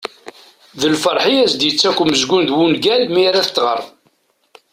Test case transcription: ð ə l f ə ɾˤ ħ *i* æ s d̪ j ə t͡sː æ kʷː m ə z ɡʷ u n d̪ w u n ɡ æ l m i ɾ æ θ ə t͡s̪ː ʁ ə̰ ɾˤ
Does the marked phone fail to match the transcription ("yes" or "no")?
no